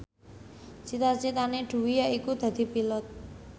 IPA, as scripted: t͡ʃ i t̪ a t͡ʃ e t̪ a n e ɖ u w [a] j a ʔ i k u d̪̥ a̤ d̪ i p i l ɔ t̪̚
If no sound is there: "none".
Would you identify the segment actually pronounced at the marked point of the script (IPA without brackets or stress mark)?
i